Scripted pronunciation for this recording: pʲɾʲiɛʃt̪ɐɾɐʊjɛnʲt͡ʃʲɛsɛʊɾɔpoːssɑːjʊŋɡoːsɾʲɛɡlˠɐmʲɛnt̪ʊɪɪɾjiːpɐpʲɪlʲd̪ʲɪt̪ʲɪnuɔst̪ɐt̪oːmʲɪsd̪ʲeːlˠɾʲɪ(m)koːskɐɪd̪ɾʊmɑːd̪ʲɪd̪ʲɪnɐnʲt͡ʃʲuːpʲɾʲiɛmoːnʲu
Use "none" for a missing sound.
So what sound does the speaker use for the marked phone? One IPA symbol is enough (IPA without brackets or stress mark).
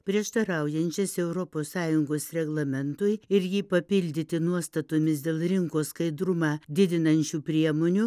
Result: ŋ